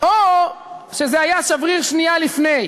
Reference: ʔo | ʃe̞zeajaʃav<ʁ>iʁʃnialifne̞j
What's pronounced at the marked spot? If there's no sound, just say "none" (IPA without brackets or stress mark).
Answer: ʁ